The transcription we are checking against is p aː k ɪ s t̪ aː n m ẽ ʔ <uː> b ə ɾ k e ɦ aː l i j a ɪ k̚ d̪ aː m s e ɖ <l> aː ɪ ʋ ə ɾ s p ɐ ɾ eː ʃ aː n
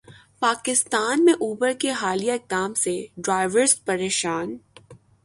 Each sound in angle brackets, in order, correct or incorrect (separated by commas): correct, incorrect